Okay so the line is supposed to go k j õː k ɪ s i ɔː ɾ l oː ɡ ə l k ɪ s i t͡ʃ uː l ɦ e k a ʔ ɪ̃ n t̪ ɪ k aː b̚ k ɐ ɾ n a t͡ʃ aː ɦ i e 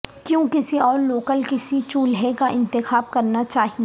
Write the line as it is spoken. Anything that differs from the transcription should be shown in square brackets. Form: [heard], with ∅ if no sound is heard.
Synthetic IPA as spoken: k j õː k ɪ s i ɔː ɾ l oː [k] ə l k ɪ s i t͡ʃ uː l ɦ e k a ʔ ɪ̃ n t̪ ɪ [x] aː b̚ k ɐ ɾ n a t͡ʃ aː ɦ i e